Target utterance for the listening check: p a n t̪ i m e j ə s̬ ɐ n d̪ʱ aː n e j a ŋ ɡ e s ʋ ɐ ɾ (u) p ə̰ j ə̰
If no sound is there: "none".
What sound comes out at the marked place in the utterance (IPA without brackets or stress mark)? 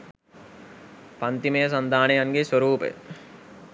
uː